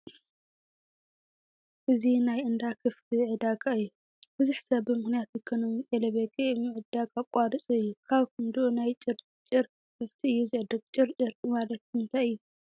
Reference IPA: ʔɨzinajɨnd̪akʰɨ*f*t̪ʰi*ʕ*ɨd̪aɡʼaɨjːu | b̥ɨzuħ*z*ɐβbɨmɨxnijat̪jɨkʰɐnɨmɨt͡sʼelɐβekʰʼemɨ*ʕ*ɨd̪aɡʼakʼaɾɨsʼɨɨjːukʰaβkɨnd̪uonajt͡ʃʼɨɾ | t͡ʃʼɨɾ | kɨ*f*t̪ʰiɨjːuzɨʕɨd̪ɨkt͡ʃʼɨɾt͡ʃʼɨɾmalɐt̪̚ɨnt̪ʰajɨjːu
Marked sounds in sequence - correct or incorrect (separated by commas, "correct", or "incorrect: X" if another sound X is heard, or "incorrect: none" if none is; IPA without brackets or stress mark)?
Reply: correct, correct, incorrect: s, correct, correct